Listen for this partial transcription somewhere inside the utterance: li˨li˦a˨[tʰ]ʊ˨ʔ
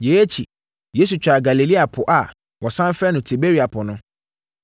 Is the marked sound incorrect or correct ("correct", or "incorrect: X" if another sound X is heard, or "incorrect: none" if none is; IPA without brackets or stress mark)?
incorrect: pʰ